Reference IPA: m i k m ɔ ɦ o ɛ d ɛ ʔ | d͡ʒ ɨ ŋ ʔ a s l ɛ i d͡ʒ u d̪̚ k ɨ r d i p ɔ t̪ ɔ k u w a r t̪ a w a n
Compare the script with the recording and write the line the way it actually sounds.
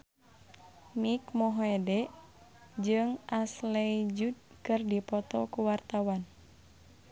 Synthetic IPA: m i k m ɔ ɦ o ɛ d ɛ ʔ | d͡ʒ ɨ ŋ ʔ a s l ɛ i d͡ʒ u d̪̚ k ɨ r d i p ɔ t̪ ɔ k u w a r t̪ a w a n